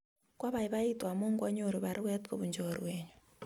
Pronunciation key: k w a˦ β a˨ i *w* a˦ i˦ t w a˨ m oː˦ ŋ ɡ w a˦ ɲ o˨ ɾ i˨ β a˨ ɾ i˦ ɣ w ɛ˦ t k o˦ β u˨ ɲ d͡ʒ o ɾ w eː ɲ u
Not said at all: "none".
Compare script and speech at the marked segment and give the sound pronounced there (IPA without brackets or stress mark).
β